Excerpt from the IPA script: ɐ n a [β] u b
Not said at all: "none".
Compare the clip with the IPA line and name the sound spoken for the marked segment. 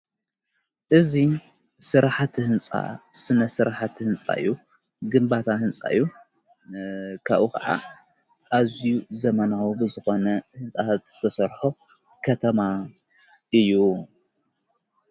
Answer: w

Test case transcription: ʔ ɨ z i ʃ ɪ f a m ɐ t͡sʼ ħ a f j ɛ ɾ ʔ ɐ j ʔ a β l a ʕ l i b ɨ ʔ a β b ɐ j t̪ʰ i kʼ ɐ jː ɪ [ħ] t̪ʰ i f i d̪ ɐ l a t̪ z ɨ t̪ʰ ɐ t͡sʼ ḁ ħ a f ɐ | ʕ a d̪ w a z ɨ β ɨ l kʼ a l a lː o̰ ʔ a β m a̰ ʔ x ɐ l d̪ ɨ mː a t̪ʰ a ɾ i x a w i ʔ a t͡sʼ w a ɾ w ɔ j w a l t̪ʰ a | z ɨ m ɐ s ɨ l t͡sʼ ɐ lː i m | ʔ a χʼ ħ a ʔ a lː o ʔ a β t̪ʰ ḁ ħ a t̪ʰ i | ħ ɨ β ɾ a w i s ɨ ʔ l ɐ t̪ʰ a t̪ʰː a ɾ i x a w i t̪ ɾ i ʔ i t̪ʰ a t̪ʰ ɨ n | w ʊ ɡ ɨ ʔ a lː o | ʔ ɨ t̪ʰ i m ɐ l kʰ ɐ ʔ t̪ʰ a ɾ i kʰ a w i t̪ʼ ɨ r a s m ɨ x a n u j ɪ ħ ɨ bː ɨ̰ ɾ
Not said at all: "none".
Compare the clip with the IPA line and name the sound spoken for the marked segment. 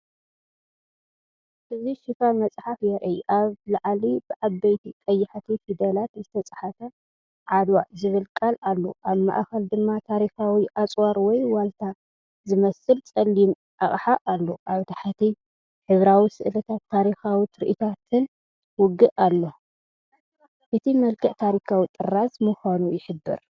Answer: ħ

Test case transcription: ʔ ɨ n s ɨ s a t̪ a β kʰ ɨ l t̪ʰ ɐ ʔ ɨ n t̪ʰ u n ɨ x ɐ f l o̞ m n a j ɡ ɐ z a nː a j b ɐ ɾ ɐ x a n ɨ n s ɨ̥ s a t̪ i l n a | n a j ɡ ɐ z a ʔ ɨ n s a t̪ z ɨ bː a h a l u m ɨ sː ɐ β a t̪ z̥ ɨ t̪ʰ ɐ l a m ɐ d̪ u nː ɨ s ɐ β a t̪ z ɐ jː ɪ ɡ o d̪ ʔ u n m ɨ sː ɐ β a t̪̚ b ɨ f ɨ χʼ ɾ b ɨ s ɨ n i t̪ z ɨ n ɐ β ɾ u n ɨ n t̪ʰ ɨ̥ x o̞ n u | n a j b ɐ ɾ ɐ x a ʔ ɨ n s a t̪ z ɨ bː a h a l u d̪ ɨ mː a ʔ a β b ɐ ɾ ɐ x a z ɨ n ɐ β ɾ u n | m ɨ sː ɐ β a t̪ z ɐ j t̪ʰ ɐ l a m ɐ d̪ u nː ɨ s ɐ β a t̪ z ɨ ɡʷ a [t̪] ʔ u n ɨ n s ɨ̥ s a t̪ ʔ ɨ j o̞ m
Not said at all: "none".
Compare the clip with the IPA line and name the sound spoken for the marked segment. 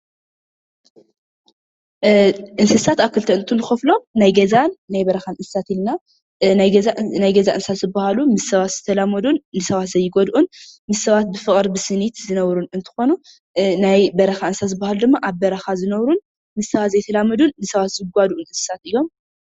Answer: d̪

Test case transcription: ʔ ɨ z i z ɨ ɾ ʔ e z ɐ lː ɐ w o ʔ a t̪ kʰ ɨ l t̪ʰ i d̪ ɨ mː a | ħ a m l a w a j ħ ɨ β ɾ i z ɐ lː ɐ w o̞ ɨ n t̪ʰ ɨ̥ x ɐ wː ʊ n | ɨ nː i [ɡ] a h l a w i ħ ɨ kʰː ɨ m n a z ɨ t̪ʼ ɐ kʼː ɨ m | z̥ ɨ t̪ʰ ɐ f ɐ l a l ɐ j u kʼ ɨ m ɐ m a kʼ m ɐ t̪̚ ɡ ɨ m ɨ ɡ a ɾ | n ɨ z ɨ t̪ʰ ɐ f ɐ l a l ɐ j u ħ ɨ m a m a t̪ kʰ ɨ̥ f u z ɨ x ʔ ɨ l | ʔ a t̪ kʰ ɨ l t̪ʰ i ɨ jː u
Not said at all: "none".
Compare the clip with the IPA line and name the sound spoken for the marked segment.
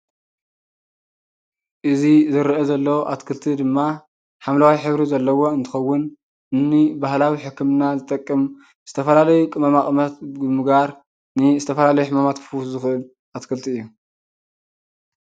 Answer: b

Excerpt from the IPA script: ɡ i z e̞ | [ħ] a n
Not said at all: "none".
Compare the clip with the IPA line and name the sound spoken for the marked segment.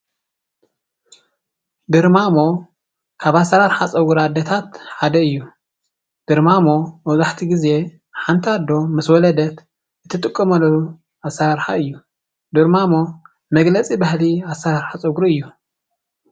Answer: ħ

